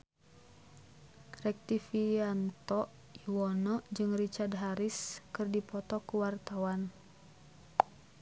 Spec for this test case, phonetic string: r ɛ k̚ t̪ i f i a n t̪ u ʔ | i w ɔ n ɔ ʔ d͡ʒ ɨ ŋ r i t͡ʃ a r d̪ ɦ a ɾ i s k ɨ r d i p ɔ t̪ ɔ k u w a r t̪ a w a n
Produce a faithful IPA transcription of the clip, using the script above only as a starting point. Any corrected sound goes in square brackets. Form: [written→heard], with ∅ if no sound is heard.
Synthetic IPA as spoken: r ɛ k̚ t̪ i f i a n t̪ [u→ɔ] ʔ | i w ɔ n ɔ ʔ d͡ʒ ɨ ŋ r i t͡ʃ a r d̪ ɦ a ɾ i s k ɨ r d i p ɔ t̪ ɔ k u w a r t̪ a w a n